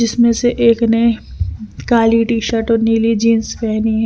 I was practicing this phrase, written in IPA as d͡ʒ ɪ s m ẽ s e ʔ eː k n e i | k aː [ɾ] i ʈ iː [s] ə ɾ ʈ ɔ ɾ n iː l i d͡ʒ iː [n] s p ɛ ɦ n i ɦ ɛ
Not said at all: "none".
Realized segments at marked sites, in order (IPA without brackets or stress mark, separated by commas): l, ʃ, n